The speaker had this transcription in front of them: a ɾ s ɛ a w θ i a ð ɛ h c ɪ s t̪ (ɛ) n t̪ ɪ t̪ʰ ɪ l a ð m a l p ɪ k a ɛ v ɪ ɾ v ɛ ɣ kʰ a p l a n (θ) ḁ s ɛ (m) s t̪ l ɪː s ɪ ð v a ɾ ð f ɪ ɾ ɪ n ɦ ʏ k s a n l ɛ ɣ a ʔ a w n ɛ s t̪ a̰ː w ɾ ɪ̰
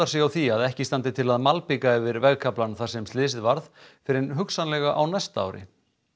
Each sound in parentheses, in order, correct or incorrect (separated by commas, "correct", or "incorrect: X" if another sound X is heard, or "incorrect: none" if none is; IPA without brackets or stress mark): incorrect: a, correct, correct